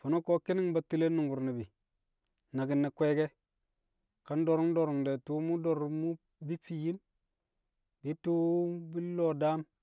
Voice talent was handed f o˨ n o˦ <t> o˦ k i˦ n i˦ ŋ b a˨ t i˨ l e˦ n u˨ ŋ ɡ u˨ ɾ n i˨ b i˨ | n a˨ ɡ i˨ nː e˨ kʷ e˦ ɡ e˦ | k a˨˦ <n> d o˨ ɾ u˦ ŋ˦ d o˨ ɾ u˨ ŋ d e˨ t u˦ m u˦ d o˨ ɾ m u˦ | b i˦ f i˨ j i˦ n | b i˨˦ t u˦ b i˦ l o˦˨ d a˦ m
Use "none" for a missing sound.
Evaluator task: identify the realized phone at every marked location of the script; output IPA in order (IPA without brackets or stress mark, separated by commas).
k, n